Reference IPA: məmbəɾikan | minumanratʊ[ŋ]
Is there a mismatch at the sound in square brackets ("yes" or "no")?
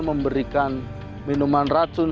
yes